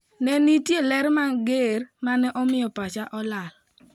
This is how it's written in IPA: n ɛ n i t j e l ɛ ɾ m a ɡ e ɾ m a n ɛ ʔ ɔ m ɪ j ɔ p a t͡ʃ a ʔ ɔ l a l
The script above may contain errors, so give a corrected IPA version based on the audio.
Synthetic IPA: n ɛ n i t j e l ɛ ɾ m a ɡ e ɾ m a n ɛ ʔ ɔ m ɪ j ɔ p a t͡ʃ a ʔ ɔ l a l